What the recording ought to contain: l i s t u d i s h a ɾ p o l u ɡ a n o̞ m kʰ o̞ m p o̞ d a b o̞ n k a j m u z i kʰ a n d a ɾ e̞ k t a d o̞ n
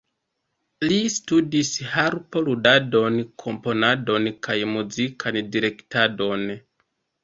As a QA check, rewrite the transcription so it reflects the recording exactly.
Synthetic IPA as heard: l i s t u d i s h a ɾ p o l u d a d o̞ n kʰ o̞ m p o̞ n a d o̞ n k a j m u z i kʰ a n d i ɾ e̞ k t a d o̞ n